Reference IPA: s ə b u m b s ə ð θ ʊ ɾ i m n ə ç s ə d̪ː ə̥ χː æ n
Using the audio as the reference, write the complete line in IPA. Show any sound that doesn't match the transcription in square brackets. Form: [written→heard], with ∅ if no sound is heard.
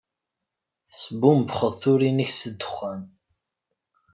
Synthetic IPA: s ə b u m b [s→χ] ə ð θ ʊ ɾ i [m→∅] n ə ç s ə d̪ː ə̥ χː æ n